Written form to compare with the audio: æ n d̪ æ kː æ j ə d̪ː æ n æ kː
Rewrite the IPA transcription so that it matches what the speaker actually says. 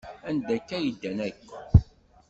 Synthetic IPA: æ n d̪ æ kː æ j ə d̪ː æ n æ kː